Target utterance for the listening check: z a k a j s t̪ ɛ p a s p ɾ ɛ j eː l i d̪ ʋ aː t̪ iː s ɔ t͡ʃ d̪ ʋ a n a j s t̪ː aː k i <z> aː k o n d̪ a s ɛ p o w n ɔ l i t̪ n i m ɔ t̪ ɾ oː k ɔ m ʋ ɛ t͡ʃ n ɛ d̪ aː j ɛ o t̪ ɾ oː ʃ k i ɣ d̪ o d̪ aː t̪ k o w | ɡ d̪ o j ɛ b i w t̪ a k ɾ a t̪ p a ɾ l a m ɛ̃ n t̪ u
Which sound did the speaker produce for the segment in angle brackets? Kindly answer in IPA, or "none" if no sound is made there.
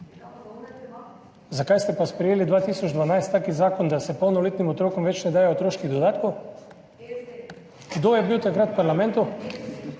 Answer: z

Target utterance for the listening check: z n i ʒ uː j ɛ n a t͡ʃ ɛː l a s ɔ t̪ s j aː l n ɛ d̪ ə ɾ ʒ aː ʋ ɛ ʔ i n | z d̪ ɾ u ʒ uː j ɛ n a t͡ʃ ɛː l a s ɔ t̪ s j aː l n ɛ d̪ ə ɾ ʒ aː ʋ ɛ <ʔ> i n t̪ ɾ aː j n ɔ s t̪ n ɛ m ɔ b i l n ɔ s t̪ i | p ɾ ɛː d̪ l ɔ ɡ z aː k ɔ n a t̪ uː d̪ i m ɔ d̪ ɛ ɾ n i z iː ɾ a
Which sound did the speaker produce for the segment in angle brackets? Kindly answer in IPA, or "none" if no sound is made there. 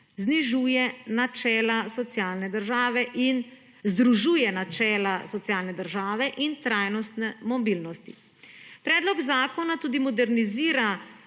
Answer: ʔ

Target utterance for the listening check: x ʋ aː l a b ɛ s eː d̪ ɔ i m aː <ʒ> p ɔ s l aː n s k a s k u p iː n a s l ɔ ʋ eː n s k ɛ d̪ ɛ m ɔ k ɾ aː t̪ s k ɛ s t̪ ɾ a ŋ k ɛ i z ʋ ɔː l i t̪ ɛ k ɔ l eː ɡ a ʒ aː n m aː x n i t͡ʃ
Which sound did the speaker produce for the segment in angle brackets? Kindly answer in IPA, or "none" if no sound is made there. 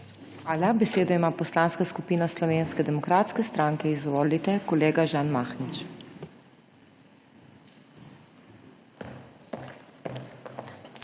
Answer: none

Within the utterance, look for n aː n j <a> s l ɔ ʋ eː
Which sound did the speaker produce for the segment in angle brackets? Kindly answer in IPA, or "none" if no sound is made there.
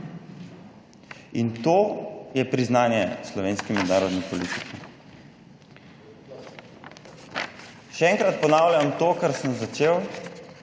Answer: ɛ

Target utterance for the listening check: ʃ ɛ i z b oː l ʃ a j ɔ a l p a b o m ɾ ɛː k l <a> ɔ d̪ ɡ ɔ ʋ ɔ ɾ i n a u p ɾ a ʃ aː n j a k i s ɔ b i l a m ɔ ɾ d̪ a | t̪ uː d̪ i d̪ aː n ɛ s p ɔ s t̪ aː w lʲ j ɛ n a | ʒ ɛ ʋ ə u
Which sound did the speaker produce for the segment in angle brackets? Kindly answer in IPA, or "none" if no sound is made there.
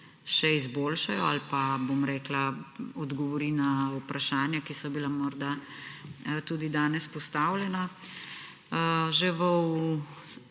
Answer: a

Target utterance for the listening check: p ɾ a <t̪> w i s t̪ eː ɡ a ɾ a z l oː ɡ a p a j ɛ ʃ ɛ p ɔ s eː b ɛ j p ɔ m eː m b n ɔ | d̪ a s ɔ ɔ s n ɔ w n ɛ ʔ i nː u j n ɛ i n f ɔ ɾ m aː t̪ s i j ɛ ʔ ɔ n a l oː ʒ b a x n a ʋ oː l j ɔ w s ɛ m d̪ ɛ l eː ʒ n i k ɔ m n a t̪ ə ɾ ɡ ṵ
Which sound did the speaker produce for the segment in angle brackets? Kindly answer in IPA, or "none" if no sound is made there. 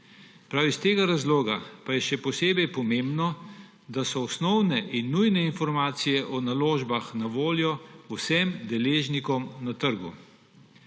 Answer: none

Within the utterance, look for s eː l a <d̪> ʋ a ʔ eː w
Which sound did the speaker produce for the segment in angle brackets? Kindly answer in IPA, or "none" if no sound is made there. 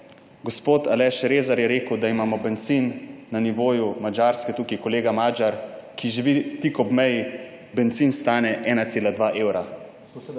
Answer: d̪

